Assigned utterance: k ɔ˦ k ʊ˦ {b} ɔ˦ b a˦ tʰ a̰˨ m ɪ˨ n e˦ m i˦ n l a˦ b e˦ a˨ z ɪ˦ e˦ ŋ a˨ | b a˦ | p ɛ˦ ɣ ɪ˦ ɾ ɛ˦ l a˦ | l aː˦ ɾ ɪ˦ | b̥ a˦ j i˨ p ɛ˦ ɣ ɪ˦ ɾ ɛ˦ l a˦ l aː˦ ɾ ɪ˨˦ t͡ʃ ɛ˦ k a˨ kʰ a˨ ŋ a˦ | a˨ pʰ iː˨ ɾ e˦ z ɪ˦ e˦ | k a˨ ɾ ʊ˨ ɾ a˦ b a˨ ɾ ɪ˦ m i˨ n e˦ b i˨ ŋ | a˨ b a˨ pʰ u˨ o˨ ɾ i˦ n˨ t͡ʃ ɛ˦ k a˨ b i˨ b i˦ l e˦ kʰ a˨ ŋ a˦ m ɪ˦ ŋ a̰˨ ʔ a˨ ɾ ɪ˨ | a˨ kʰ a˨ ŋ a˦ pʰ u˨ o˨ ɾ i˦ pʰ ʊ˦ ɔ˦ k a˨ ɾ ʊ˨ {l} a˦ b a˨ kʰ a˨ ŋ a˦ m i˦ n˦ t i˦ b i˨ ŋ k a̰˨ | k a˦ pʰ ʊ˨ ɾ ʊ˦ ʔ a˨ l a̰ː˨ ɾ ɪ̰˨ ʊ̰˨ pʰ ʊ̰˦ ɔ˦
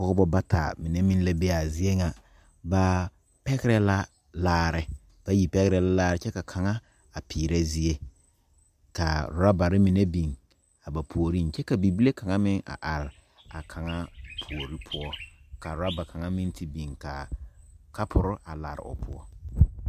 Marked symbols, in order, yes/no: yes, no

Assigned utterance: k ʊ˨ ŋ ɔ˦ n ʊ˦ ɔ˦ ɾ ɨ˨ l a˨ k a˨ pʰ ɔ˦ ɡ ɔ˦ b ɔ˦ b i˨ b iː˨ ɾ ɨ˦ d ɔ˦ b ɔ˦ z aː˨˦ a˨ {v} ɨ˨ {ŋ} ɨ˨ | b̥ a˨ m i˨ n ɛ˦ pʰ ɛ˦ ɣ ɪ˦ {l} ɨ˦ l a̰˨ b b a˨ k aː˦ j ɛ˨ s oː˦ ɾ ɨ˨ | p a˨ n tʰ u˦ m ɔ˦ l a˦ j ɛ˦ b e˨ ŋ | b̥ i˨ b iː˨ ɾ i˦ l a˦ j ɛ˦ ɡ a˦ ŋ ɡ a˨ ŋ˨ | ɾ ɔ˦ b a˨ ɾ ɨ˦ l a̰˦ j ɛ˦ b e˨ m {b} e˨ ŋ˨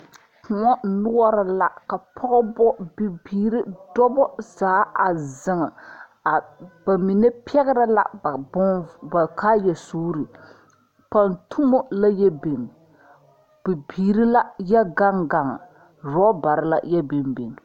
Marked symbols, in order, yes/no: no, yes, no, yes

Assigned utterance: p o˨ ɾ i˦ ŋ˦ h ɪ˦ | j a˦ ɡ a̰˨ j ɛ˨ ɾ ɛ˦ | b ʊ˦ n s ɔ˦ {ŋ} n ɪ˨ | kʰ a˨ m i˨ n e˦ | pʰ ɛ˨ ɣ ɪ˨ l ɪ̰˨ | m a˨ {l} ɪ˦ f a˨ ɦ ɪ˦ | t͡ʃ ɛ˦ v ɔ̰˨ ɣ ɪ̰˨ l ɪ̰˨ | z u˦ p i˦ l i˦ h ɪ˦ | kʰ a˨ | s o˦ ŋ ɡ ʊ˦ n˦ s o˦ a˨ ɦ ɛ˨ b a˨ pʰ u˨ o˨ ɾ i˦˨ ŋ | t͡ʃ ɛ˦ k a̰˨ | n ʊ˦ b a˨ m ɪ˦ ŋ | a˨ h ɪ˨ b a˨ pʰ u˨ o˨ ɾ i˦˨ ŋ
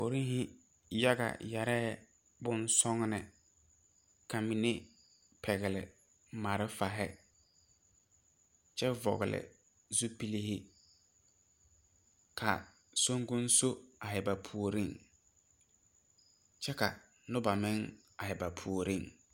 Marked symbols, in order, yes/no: yes, no

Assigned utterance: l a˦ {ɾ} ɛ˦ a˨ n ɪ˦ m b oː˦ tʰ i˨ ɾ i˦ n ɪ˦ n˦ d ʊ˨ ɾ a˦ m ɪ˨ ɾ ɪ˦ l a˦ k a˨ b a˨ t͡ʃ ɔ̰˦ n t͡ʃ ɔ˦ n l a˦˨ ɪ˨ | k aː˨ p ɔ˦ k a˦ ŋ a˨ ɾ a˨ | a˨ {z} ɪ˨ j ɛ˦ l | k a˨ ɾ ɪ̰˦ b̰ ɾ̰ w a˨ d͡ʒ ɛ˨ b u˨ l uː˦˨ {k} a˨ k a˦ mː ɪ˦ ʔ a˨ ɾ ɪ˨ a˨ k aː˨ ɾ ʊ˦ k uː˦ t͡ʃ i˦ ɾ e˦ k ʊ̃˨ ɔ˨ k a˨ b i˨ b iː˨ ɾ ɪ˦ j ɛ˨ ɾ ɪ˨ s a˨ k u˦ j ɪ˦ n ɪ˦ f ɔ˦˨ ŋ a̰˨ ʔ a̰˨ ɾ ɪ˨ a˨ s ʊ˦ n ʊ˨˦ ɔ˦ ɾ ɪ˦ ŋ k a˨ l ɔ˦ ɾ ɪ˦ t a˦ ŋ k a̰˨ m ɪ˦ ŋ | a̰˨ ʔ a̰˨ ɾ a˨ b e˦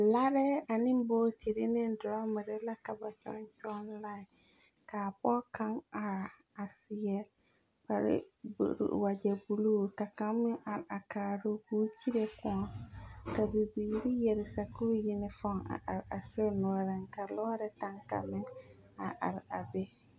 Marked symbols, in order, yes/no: yes, no, yes

